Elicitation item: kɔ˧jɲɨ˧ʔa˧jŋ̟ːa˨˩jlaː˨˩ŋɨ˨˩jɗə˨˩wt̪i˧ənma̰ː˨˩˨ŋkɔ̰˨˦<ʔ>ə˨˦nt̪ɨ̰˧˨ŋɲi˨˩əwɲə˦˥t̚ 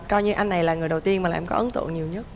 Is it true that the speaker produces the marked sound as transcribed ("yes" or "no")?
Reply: yes